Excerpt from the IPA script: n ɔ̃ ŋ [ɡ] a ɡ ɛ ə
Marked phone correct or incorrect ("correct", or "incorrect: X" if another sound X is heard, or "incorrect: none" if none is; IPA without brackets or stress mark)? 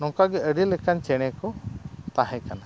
incorrect: k